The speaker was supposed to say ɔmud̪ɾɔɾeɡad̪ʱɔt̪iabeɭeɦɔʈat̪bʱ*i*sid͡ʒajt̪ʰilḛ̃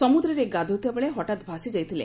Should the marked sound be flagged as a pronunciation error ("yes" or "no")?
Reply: yes